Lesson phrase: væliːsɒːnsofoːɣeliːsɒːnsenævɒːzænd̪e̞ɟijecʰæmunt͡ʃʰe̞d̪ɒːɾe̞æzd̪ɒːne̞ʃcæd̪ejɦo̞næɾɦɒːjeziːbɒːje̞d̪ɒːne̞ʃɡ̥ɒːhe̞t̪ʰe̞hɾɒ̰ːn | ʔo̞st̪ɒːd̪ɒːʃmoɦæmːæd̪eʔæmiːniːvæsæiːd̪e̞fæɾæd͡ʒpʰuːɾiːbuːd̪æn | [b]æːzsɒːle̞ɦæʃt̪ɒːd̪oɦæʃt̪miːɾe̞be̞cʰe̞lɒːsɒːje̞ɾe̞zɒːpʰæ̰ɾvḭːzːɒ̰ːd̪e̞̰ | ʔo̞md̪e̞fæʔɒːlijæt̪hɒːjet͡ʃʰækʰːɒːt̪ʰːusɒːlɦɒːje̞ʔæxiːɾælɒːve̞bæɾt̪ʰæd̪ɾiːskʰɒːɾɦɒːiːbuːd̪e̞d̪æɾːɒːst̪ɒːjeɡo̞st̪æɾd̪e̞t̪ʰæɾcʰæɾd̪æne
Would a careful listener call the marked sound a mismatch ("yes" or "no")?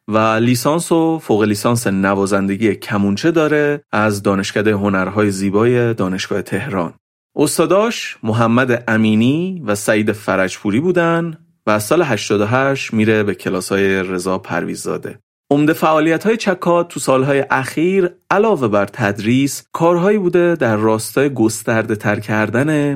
yes